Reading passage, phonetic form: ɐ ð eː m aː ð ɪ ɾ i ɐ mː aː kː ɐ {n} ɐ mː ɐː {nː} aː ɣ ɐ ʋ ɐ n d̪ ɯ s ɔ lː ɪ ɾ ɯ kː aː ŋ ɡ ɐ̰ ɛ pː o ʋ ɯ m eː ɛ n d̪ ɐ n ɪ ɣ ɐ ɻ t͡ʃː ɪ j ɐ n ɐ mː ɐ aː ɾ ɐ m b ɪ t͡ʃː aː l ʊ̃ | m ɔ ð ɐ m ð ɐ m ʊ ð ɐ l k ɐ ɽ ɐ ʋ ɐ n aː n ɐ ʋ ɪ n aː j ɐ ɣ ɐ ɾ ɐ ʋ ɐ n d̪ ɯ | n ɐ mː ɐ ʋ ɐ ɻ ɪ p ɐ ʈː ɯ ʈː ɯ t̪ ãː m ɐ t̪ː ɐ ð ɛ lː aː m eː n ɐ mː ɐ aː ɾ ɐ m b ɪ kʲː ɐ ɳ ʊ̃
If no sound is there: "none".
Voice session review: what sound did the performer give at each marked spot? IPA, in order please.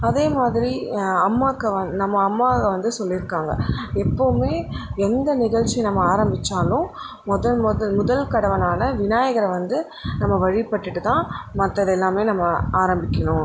n, mː

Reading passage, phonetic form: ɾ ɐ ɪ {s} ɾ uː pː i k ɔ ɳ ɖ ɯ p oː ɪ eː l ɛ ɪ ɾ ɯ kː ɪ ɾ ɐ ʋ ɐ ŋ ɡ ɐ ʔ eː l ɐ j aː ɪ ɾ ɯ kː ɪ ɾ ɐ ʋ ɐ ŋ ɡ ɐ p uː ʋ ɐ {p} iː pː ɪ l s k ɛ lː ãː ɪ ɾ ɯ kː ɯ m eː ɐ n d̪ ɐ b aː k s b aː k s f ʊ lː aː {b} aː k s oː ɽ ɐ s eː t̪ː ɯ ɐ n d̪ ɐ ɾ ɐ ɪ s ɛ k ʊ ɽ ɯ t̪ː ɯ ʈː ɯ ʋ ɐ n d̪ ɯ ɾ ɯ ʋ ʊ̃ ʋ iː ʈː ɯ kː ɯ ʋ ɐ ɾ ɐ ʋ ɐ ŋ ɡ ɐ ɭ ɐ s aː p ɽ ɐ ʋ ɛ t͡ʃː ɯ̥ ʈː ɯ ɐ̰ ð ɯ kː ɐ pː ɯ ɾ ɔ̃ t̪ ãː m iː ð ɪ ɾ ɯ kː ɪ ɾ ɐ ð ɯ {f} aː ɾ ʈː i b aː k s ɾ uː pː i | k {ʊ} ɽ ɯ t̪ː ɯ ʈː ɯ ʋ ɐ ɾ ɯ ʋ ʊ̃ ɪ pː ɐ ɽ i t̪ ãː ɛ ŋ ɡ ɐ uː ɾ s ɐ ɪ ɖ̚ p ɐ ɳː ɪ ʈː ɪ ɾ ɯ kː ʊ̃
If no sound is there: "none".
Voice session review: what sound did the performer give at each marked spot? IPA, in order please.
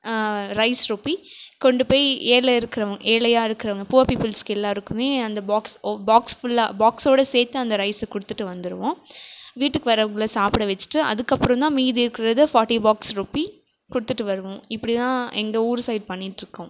s, p, b, f, ʊ

